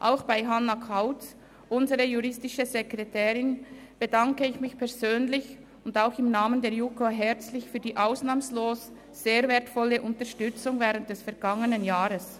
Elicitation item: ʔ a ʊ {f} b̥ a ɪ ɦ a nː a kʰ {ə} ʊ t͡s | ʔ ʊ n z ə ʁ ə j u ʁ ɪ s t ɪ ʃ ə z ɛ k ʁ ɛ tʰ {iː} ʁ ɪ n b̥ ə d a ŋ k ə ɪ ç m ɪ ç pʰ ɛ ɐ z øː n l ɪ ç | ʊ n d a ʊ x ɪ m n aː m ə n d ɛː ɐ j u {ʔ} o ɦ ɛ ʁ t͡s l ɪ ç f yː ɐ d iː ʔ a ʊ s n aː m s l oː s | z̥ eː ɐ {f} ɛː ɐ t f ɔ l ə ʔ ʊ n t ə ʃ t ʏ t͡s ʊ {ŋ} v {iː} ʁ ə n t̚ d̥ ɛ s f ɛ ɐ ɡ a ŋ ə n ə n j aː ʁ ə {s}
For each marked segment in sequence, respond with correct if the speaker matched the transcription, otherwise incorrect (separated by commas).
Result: incorrect, incorrect, incorrect, incorrect, incorrect, correct, incorrect, correct